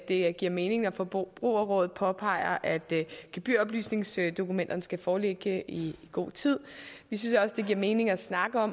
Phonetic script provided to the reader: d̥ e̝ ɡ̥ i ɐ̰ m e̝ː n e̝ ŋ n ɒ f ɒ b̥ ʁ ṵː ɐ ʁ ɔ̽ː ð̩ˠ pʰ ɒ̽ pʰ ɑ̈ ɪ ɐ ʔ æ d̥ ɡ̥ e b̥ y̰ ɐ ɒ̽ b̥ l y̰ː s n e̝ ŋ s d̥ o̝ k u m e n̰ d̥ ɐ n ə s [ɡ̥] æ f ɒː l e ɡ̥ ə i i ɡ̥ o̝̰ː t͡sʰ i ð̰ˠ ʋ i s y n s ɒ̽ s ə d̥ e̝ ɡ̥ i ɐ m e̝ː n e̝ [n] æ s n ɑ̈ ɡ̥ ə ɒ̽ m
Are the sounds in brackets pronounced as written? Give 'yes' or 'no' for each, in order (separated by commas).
yes, no